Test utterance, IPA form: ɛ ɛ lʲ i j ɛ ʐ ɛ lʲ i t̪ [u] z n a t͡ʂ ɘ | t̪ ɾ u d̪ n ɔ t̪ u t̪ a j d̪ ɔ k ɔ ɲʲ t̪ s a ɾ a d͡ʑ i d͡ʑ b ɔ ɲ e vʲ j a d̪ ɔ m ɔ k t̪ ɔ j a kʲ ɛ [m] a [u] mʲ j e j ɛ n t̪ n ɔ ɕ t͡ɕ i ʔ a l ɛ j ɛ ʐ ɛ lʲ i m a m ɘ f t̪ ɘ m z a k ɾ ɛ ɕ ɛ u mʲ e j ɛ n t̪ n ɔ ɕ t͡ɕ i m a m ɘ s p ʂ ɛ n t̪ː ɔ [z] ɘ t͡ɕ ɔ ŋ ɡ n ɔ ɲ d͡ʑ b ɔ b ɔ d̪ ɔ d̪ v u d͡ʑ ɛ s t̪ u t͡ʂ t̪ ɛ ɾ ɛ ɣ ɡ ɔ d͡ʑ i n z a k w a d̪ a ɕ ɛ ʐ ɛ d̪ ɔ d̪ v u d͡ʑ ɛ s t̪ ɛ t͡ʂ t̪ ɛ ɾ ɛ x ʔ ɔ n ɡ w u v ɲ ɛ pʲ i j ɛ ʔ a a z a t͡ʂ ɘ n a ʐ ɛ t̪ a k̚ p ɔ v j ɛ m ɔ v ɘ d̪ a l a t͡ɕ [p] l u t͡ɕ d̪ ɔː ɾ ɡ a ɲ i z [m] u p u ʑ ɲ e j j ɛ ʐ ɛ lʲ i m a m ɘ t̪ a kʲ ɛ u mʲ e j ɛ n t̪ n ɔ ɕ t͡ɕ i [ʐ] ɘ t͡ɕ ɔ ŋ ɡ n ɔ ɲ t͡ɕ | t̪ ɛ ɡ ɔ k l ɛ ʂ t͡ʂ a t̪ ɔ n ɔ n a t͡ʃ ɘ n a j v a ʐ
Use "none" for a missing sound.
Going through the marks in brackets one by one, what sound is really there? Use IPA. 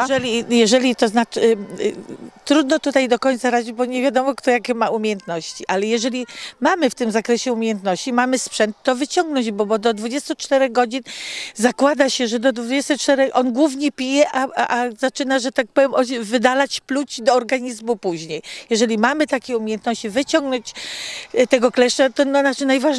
ɔ, m, u, v, p, m, v

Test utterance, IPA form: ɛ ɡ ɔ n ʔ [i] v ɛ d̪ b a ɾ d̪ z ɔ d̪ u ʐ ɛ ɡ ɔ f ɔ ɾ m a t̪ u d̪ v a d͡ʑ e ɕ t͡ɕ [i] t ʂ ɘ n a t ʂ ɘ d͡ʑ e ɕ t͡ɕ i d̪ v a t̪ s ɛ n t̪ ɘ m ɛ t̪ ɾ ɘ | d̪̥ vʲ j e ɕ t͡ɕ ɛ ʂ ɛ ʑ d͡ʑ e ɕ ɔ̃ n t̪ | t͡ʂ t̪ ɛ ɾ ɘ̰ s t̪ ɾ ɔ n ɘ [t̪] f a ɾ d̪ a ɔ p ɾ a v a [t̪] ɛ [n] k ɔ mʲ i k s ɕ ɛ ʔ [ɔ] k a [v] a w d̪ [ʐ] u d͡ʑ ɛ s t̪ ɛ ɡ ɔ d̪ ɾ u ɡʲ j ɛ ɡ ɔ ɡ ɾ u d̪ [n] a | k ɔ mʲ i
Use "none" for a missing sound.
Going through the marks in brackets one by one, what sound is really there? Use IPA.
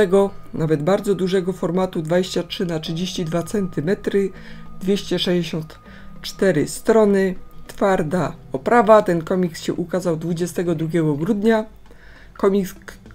a, a, t̪, t̪, n, u, z, v, ɲ

